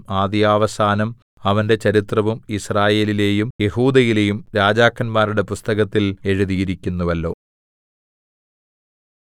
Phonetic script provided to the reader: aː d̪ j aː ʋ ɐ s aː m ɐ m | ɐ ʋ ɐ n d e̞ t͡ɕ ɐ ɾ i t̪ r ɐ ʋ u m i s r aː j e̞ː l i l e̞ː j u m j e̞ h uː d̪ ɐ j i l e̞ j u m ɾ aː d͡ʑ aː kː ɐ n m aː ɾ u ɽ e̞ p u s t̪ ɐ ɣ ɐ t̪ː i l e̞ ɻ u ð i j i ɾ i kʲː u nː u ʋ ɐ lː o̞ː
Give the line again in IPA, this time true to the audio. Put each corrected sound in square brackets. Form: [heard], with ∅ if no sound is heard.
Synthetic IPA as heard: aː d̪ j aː ʋ ɐ s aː [n] ɐ m | ɐ ʋ ɐ n d e̞ t͡ɕ ɐ ɾ i t̪ r ɐ ʋ u m i s r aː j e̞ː l i l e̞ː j u m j e̞ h uː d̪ ɐ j i l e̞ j u m ɾ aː d͡ʑ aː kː ɐ n m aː ɾ u ɽ e̞ p u s t̪ ɐ ɣ ɐ t̪ː i l e̞ ɻ u ð i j i ɾ i kʲː u nː u ʋ ɐ lː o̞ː

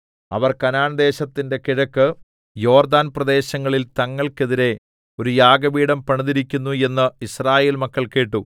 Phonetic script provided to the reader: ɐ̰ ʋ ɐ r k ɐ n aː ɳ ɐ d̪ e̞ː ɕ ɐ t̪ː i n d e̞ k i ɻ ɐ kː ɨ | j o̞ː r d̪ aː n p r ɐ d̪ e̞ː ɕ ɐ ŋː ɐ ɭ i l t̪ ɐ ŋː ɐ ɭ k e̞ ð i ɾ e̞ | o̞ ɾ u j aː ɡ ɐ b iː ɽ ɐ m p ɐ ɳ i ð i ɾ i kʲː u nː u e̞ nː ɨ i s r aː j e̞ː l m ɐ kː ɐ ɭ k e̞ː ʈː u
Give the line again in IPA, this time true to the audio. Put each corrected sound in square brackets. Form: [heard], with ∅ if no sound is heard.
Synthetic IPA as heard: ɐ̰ ʋ ɐ r k ɐ n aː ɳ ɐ d̪ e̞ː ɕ ɐ t̪ː i n d e̞ k i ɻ ɐ kː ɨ | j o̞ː r d̪ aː n p r ɐ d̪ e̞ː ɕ ɐ ŋː ɐ ɭ i l t̪ ɐ ŋː ɐ ɭ k e̞ ð i ɾ e̞ | o̞ ɾ u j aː ɡ ɐ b iː ɽ ɐ m p ɐ ɳ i ð i ɾ i kʲː u nː u e̞ nː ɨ i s r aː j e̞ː l m ɐ kː ɐ ɭ k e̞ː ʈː u

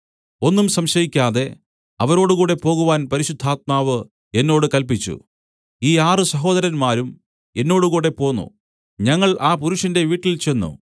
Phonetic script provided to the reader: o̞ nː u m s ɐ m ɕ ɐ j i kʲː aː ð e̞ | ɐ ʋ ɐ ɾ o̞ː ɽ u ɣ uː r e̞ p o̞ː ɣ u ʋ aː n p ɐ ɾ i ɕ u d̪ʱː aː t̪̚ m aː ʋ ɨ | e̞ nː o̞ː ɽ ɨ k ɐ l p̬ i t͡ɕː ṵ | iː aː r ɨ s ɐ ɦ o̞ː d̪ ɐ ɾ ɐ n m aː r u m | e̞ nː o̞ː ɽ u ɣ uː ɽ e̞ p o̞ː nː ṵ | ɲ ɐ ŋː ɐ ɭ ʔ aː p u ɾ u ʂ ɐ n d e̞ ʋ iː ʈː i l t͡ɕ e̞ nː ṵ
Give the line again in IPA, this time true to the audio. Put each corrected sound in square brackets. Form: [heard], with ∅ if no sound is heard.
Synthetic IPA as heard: o̞ nː u m s ɐ m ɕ ɐ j i kʲː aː ð e̞ | ɐ ʋ ɐ ɾ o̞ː ɽ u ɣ uː [ɽ] e̞ p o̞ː ɣ u ʋ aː n p ɐ ɾ i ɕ u d̪ʱː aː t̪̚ m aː ʋ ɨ | e̞ nː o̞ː ɽ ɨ k ɐ l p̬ i t͡ɕː ṵ | iː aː r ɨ s ɐ ɦ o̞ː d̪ ɐ ɾ ɐ n m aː [ɾ] u m | e̞ nː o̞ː ɽ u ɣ uː ɽ e̞ p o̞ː nː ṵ | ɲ ɐ ŋː ɐ ɭ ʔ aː p u ɾ u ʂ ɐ n d e̞ ʋ iː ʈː i l t͡ɕ e̞ nː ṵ

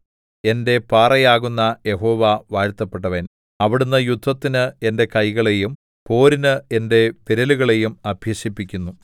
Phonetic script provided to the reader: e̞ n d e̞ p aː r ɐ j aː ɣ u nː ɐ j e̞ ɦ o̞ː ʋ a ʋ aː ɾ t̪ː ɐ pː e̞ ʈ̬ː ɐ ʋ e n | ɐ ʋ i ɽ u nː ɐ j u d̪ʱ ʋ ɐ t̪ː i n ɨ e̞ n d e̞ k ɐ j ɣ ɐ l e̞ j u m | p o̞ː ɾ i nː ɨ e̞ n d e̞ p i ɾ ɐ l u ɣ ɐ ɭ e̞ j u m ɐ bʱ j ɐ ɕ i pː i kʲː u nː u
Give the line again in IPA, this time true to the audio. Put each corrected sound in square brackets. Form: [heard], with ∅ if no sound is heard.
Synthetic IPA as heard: e̞ n d e̞ p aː r ɐ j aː ɣ u nː ɐ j e̞ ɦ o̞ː ʋ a ʋ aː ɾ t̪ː ɐ pː e̞ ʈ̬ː ɐ ʋ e n | ɐ ʋ i ɽ u nː ɐ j u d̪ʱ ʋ ɐ t̪ː i n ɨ e̞ n d e̞ k ɐ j ɣ ɐ [ɭ] e̞ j u m | p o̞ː ɾ i [n] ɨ e̞ n d e̞ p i ɾ ɐ l u ɣ ɐ ɭ e̞ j u m ɐ bʱ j ɐ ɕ i pː i kʲː u nː u

